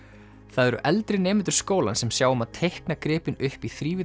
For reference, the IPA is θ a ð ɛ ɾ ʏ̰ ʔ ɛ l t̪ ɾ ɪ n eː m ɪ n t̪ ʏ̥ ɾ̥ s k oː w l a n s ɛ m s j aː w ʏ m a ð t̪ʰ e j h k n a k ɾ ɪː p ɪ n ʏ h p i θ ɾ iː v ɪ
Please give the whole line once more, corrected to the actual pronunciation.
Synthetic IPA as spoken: θ a ð ɛ ɾ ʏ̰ ʔ ɛ l t̪ ɾ ɪ n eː m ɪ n t̪ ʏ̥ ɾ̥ s k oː w l a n s ɛ m s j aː w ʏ m a ð t̪ʰ e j h k n a k ɾ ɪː p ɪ n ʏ h p i θ ɾ iː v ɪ